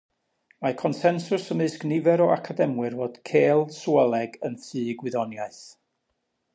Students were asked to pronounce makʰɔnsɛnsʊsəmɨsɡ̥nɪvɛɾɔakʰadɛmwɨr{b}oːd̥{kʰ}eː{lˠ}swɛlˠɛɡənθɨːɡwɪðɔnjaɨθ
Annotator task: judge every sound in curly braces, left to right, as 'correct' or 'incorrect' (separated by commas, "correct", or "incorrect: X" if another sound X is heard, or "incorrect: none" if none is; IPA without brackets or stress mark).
incorrect: v, correct, correct